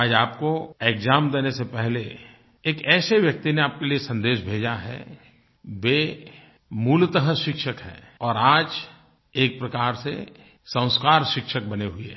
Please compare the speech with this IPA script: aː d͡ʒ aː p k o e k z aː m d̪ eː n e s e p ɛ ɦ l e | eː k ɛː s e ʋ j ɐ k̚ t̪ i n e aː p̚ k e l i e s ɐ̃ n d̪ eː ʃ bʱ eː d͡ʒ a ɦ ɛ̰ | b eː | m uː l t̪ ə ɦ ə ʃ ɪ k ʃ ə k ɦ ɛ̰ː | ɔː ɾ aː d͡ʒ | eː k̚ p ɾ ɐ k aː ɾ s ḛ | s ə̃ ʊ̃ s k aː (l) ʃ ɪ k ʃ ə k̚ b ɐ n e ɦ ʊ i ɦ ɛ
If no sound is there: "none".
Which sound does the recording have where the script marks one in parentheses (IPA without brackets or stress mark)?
ɾ